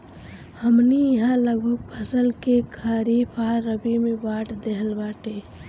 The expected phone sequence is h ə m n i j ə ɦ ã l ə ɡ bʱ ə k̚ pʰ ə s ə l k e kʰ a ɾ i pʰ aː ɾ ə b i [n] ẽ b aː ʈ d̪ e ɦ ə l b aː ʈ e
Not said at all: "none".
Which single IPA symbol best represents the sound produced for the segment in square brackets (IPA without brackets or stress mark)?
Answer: m